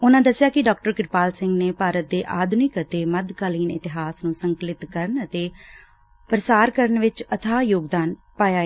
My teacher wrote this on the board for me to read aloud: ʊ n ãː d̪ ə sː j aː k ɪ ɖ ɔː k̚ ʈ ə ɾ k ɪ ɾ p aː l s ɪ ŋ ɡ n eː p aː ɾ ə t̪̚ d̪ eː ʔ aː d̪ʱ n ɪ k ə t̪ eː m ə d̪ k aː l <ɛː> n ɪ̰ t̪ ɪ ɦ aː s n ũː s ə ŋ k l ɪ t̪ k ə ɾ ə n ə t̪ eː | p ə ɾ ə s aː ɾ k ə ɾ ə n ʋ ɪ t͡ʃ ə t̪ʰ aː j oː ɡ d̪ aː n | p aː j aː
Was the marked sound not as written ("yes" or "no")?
yes